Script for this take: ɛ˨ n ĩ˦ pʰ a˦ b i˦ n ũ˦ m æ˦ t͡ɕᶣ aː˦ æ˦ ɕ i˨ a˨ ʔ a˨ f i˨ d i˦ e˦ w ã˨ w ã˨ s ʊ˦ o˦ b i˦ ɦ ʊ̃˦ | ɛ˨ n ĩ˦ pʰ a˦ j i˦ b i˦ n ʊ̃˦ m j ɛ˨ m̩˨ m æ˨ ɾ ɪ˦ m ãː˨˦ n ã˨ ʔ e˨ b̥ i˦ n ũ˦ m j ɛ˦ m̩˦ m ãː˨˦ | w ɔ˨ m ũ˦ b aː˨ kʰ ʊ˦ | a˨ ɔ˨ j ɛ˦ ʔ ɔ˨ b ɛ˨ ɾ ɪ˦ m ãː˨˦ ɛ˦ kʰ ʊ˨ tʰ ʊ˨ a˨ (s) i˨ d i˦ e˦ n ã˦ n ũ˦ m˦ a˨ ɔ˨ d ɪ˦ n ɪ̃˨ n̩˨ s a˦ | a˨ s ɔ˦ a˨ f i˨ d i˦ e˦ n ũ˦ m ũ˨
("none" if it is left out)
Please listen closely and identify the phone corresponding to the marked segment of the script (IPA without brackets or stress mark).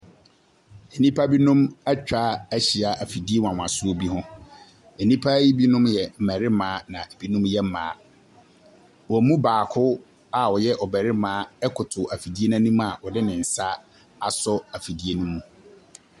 f